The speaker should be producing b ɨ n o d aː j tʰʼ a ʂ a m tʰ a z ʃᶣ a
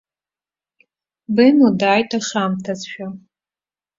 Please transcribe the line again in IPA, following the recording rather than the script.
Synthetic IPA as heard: b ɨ n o d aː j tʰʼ a ʂ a m tʰ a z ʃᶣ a